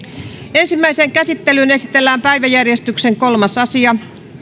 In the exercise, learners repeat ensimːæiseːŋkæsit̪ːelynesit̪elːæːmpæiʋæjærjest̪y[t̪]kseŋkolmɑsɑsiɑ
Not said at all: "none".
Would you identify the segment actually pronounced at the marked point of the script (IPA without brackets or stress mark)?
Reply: none